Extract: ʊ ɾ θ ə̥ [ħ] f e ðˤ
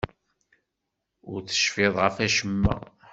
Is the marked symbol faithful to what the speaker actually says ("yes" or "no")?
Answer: no